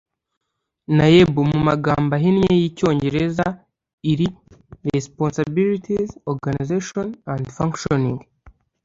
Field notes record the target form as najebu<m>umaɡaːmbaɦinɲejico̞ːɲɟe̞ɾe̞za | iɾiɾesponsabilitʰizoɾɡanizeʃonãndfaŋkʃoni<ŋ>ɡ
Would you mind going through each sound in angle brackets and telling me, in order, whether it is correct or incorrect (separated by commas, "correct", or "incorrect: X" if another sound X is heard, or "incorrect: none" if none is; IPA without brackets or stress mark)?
correct, correct